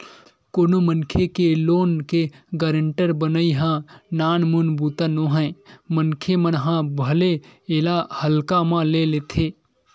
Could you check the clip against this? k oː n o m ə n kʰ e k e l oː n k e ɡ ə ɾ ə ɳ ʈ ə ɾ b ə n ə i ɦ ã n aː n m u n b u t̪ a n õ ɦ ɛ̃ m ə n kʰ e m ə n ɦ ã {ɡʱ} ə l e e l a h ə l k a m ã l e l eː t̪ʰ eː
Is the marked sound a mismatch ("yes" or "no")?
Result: yes